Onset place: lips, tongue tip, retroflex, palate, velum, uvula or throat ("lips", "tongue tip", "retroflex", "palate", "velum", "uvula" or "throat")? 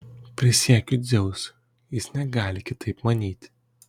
lips